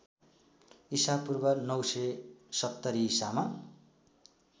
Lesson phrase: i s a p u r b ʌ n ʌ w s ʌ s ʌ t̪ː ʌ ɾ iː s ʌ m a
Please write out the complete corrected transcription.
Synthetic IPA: i s a p u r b ʌ n ʌ w s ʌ s ʌ t̪ː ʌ ɾ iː s a m a